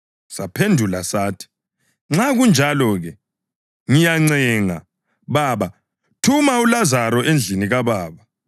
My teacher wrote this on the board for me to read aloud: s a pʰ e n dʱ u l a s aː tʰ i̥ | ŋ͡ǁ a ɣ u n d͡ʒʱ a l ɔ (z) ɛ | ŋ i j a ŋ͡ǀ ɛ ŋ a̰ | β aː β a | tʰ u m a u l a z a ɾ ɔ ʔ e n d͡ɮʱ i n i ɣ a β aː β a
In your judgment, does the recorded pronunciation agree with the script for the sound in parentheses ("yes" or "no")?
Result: no